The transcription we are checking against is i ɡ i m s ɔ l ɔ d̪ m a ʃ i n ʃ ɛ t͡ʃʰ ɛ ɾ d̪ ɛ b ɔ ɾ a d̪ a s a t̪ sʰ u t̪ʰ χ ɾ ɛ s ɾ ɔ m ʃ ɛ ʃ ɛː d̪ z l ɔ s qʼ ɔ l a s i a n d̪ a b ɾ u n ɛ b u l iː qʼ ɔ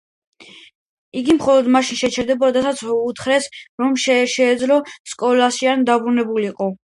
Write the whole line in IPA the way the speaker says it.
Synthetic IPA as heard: i ɡ i m χ ɔ l ɔ d̪ m a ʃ i n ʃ ɛ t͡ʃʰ ɛ ɾ d̪ ɛ b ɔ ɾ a d̪ a s a t̪ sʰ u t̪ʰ χ ɾ ɛ s ɾ ɔ m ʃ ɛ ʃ ɛː d̪ z l ɔ s kʼ ɔ l a s i a n d̪ a b ɾ u n ɛ b u l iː qʼ ɔ